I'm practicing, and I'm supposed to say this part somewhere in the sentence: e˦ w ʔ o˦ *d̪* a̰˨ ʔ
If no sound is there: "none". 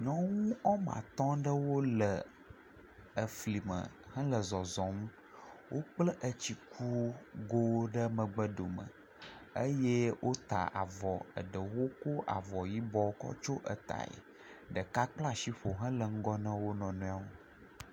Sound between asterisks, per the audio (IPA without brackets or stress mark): t̪